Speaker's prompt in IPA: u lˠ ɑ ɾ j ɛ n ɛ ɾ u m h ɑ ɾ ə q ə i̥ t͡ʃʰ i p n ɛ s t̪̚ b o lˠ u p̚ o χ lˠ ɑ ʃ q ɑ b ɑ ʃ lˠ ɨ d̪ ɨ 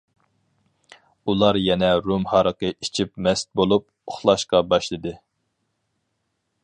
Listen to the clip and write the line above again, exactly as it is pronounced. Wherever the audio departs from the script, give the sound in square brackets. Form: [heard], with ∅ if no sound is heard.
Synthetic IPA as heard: u lˠ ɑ ɾ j ɛ n ɛ ɾ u m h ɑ ɾ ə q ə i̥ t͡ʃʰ i p [m] ɛ s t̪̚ b o lˠ u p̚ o χ lˠ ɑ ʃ q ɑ b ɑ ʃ lˠ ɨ d̪ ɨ